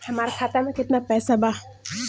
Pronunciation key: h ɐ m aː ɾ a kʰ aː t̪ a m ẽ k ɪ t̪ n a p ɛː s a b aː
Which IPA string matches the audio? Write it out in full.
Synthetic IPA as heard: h ɐ m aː ɾ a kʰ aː t̪ a m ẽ k ɪ t̪ n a p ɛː s a b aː